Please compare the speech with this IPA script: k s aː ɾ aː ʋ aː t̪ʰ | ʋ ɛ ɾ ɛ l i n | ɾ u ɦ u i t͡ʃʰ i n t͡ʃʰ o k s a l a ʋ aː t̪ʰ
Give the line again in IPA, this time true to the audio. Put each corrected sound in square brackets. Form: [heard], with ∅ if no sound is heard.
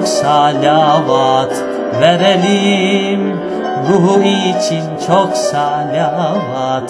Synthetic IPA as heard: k s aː [l] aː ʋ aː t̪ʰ | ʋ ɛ ɾ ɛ l i [m] | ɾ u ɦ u i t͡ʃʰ i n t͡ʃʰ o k s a l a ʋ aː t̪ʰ